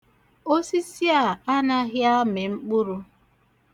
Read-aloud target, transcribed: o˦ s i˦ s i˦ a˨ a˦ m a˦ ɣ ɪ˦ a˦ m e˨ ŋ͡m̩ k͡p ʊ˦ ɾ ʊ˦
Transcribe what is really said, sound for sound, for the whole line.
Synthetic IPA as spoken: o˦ s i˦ s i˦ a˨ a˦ n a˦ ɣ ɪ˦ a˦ m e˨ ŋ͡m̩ k͡p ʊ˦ ɾ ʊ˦

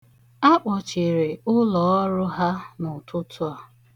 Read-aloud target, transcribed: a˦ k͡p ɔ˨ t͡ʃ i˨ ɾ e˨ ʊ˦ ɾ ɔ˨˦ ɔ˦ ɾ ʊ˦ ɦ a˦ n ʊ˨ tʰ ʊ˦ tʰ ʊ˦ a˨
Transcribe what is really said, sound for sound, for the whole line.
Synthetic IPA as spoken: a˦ k͡p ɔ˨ t͡ʃ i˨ ɾ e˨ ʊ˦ l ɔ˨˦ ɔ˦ ɾ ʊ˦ ɦ a˦ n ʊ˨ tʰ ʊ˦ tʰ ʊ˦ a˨

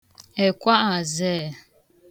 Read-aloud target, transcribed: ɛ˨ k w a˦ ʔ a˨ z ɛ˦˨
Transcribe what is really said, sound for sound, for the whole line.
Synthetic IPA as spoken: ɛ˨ k w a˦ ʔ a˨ z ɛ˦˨

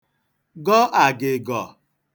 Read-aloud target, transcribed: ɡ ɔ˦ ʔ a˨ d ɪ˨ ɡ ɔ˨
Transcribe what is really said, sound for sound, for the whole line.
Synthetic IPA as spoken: ɡ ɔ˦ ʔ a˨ ɡ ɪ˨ ɡ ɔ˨

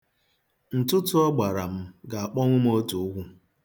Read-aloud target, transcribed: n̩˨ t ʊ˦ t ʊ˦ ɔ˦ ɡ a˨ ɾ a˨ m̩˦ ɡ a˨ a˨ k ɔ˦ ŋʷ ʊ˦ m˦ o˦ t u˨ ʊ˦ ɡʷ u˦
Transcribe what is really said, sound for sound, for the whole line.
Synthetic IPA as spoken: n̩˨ t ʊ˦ t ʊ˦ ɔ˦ ɡ͡b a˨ ɾ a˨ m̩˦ ɡ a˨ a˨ k͡p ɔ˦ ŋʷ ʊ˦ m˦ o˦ t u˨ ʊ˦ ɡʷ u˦

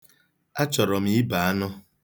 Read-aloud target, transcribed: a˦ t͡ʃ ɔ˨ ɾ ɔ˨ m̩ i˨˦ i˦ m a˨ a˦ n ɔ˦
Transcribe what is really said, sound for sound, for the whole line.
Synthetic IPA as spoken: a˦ t͡ʃ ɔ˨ ɾ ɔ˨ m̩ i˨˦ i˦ b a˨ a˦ n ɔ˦

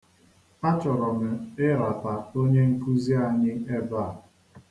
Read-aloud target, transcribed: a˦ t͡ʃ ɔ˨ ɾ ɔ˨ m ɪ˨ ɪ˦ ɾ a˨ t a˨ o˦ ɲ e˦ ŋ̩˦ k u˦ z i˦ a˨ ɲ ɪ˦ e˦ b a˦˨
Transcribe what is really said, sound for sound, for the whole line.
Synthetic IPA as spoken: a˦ t͡ʃ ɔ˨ ɾ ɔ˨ m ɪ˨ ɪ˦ ɾ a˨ t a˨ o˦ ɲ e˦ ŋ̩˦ k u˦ z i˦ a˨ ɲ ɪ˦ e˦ b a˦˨

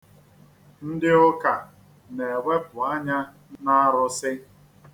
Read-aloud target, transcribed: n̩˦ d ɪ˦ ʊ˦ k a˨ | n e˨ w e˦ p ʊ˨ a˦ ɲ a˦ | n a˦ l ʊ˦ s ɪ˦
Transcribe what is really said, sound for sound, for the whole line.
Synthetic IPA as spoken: n̩˦ d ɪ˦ ʊ˦ k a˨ | n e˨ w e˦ p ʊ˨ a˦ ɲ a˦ | n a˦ ɾ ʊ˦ s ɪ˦

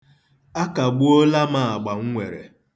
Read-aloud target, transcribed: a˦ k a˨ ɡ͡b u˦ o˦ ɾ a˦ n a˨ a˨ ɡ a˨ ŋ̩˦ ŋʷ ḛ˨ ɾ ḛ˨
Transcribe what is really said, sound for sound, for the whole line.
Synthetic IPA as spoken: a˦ k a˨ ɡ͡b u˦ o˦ l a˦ m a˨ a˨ ɡ͡b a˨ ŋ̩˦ ŋʷ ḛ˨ ɾ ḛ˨

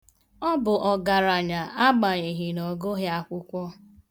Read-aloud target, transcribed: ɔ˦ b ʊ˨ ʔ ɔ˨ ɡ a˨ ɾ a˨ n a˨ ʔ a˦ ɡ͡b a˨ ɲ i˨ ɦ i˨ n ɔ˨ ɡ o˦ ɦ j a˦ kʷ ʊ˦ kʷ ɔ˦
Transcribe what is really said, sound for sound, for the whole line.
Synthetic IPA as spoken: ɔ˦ b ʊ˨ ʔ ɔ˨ ɡ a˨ ɾ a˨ ɲ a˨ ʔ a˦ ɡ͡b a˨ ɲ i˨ ɦ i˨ n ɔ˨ ɡ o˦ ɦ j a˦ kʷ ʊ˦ kʷ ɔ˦

